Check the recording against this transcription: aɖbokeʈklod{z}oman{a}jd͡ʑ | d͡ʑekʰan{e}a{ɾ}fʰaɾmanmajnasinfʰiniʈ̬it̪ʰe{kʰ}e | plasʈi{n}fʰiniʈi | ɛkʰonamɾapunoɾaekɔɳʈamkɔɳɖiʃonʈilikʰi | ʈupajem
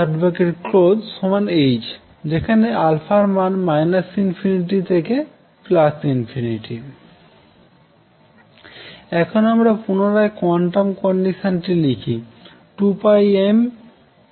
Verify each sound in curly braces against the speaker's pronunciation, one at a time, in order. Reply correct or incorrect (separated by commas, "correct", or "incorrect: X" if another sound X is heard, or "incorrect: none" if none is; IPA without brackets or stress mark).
incorrect: s, incorrect: e, correct, incorrect: l, incorrect: k, correct